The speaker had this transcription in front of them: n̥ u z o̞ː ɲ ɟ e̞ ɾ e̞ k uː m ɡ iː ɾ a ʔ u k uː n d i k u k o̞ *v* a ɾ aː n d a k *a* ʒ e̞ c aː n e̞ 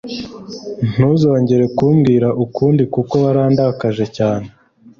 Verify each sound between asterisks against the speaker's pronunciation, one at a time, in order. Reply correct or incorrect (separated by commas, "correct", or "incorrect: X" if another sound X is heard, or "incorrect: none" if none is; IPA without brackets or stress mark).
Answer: incorrect: β, correct